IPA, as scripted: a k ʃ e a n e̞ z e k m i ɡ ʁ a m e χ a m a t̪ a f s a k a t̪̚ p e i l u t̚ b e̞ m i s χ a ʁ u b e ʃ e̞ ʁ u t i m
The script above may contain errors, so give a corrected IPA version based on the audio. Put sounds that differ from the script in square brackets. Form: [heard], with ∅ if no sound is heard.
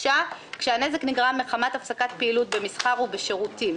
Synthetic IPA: a k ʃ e a n e̞ z e k [n] i ɡ ʁ a m e χ a m a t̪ a f s a k a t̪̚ p e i l u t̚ b e̞ m i s χ a ʁ u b e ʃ e̞ ʁ u t i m